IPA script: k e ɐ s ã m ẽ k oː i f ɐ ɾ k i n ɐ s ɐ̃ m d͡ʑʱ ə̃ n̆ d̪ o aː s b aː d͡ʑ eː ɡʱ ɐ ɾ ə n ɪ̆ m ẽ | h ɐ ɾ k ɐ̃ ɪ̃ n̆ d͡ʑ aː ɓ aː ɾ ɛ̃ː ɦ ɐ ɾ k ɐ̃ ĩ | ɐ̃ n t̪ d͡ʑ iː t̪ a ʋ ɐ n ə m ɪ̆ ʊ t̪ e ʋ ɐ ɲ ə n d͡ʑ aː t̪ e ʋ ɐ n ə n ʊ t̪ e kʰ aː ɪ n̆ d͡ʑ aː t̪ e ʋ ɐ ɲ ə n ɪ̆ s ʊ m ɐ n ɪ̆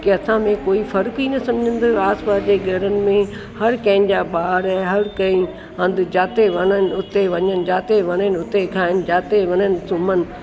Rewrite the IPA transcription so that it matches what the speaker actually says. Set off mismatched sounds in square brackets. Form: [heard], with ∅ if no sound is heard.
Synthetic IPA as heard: k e ɐ s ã m ẽ k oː i f ɐ ɾ k i n ɐ s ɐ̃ m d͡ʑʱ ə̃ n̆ d̪ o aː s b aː d͡ʑ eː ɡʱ ɐ ɾ ə n ɪ̆ m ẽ | h ɐ ɾ k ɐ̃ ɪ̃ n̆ d͡ʑ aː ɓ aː ɾ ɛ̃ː ɦ ɐ ɾ k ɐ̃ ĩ | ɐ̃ n [d̪] d͡ʑ [aː] t̪ [e] ʋ ɐ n ə [n] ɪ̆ ʊ t̪ e ʋ ɐ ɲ ə n d͡ʑ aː t̪ e ʋ ɐ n ə n ʊ t̪ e kʰ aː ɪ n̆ d͡ʑ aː t̪ e ʋ ɐ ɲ ə n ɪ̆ s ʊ m [ə] n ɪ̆